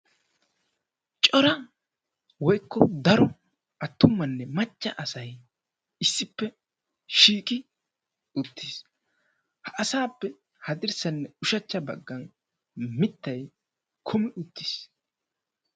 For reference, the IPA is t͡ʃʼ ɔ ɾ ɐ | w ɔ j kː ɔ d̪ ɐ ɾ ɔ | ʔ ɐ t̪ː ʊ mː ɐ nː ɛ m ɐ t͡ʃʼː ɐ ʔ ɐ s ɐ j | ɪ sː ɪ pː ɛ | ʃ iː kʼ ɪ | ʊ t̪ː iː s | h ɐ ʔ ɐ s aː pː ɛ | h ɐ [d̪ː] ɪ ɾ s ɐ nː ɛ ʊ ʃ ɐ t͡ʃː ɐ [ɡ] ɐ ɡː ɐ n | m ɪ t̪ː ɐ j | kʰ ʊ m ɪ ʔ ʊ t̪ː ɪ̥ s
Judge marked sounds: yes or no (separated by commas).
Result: no, no